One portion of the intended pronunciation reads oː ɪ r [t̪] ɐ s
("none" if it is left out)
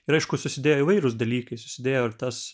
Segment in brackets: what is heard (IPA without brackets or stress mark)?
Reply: t̪